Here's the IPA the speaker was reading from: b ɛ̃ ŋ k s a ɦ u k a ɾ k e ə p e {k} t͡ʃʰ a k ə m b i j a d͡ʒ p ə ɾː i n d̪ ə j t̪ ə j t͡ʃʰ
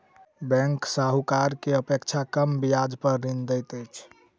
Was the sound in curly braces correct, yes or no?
yes